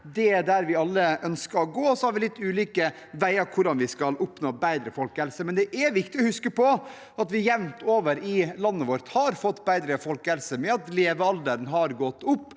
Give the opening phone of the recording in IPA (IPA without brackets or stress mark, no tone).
d̪